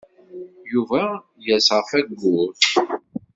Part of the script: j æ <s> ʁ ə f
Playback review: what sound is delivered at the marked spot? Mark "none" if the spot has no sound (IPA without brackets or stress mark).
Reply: s